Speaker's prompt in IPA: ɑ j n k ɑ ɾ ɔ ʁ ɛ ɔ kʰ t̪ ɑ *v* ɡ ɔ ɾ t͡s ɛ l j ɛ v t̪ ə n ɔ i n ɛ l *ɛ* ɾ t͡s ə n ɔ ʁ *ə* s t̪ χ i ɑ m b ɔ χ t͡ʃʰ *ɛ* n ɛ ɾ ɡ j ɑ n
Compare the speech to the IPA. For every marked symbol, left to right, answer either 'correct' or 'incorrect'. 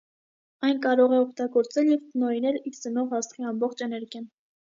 incorrect, incorrect, incorrect, correct

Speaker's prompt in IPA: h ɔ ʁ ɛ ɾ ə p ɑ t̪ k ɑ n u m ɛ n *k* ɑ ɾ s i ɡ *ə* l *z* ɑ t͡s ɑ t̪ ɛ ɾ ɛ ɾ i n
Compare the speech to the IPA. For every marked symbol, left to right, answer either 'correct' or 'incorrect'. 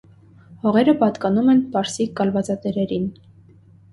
incorrect, incorrect, incorrect

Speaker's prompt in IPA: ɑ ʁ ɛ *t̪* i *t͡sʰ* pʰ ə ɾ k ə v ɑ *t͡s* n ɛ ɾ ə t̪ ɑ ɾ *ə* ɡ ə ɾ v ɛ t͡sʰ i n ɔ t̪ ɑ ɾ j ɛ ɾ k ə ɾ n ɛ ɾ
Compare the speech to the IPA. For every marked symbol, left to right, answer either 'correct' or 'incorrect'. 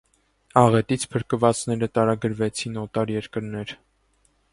correct, correct, correct, incorrect

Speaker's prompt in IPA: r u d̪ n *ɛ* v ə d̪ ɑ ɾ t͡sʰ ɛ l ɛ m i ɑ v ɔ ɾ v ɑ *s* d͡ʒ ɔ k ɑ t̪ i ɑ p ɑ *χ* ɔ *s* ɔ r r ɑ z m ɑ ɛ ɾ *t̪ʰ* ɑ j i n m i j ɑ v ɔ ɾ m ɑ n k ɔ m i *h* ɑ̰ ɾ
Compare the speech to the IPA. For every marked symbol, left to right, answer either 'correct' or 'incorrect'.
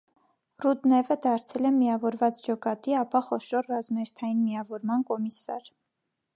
correct, incorrect, correct, incorrect, correct, incorrect

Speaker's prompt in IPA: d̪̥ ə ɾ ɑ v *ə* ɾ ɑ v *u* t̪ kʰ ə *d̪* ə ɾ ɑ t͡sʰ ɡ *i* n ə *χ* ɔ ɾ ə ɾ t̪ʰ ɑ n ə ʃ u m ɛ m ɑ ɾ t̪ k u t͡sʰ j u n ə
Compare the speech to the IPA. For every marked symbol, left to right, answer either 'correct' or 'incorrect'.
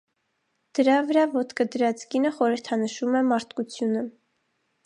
correct, incorrect, correct, correct, correct

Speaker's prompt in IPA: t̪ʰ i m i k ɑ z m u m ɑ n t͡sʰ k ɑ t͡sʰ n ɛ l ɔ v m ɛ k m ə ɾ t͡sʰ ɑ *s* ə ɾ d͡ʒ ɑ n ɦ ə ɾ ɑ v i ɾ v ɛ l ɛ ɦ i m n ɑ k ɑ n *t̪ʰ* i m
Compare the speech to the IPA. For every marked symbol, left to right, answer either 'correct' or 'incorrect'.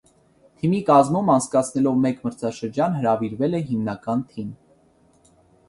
incorrect, correct

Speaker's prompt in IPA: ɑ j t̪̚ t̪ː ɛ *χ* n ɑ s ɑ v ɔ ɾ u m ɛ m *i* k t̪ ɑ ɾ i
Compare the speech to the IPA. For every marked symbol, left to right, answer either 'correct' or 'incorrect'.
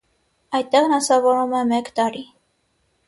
incorrect, incorrect

